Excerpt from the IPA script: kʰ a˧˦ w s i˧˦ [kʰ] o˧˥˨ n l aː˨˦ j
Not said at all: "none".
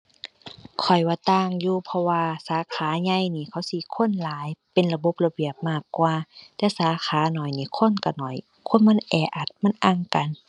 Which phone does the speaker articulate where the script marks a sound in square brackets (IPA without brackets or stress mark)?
kʰ